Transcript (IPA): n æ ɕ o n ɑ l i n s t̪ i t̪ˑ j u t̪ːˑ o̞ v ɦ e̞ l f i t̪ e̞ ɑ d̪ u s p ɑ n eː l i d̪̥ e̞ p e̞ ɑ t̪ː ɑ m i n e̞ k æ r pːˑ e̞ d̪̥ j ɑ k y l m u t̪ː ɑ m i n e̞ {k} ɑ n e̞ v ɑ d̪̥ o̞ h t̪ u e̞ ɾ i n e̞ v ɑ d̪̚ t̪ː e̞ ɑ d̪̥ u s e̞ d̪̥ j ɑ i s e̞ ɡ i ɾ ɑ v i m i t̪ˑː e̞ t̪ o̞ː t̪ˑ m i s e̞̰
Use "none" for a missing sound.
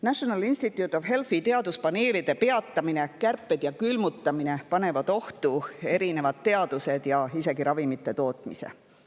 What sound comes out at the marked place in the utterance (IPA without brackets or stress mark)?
p